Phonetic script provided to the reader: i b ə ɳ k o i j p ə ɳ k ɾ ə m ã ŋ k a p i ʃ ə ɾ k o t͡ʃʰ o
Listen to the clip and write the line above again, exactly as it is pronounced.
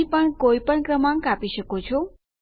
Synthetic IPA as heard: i p ə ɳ k o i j p ə ɳ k ɾ ə m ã ŋ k a p i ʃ ə k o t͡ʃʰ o